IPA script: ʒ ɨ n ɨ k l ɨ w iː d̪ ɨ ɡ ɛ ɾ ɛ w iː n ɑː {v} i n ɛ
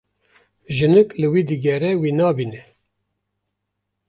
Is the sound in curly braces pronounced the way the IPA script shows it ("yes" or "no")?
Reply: no